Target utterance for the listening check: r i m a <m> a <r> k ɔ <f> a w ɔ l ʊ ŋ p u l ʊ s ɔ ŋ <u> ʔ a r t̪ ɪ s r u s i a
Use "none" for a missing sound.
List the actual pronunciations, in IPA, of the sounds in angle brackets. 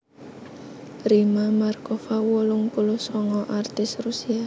m, r, f, ɔ

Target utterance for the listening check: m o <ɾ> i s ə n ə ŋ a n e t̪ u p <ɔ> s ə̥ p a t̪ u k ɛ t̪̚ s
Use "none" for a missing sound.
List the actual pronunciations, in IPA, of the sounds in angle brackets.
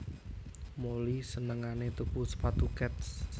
l, u

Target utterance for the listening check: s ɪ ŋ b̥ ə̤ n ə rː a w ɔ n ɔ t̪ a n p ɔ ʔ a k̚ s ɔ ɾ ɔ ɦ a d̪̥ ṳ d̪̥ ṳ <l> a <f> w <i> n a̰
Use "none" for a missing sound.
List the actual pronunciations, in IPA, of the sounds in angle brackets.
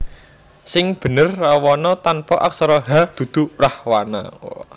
r, h, a

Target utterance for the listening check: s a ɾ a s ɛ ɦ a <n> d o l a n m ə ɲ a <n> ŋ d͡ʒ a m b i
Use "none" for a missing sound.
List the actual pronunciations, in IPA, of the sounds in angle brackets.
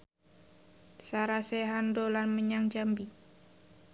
n, none

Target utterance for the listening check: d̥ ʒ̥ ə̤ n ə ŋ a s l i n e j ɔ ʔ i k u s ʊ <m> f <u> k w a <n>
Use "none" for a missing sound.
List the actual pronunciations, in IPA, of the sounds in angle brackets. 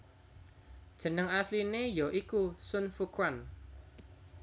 n, u, n

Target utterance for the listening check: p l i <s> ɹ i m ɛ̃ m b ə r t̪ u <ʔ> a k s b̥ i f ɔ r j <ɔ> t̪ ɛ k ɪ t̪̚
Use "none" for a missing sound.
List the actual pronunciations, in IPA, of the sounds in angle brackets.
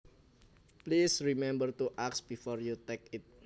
s, ʔ, u

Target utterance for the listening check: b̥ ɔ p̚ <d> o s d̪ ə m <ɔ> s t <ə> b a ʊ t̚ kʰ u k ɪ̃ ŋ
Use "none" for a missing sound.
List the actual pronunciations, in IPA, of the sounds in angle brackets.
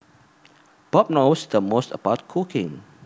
n, o, ə

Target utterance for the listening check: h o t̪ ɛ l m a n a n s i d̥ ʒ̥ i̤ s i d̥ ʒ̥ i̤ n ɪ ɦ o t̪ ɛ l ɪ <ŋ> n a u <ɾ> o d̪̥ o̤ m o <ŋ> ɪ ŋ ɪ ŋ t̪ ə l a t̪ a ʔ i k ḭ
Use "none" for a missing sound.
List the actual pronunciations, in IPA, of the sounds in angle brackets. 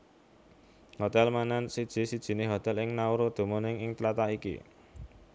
ŋ, ɾ, n

